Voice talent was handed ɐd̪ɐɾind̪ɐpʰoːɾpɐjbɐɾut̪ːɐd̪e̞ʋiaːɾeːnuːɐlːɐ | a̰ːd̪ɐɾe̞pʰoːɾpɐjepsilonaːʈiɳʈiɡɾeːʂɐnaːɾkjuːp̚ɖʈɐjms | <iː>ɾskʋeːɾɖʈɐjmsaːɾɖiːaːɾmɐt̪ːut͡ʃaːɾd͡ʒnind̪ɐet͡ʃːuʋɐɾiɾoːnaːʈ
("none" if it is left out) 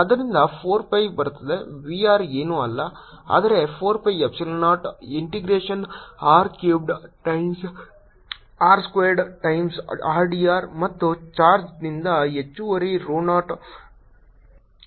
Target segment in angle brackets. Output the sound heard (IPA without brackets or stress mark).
aː